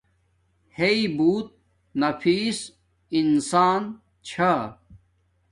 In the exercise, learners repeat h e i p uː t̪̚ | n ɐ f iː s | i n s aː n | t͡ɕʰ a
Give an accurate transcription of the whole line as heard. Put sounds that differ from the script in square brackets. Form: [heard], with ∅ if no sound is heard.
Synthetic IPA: h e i [b] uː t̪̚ | n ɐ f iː s | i n s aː n | t͡ɕʰ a